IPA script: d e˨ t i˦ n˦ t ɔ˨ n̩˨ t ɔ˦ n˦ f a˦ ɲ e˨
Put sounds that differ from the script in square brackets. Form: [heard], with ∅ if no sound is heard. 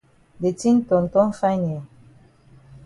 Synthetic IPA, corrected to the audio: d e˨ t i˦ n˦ t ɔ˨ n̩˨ t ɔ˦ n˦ f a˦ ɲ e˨